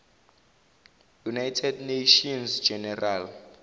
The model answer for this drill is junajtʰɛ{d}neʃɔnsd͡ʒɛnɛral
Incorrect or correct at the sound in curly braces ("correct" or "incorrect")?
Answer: correct